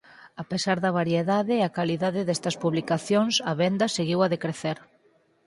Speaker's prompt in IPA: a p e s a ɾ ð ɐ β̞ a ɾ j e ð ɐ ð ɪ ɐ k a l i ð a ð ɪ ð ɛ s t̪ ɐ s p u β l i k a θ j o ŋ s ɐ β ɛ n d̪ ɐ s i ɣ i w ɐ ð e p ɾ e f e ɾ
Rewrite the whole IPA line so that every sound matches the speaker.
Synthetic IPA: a p e s a ɾ ð ɐ β̞ a ɾ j e ð a ð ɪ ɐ k a l i ð a ð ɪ ð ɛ s t̪ ɐ s p u β l i k a θ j o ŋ s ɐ β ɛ n d̪ ɐ s e ɣ i w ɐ ð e k ɾ e θ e ɾ